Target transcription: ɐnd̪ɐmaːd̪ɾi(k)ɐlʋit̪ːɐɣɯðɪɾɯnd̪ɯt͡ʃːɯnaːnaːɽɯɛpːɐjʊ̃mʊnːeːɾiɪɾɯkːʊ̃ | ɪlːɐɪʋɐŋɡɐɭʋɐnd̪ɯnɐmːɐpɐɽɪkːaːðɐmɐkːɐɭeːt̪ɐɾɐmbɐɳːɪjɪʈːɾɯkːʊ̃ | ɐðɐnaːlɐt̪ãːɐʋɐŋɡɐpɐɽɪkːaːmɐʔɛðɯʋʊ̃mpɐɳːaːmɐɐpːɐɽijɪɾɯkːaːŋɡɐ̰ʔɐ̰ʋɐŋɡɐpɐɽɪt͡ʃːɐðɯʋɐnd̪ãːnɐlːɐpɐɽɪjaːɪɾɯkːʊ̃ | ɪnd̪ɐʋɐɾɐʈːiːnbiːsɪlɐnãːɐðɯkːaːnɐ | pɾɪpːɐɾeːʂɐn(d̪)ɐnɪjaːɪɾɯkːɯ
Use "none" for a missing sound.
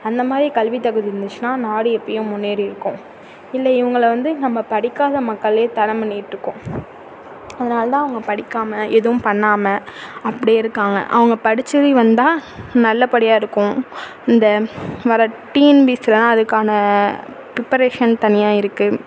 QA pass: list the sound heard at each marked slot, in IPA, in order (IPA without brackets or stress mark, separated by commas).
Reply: k, t̪